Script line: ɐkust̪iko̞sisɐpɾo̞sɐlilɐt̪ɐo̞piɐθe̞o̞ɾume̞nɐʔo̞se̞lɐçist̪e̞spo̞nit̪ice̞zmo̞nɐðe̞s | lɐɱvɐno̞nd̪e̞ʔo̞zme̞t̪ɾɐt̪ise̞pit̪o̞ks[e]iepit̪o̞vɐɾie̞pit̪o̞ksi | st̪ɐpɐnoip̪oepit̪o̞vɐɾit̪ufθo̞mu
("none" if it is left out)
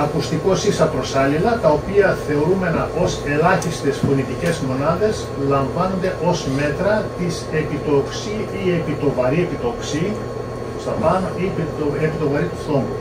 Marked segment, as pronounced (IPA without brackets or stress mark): i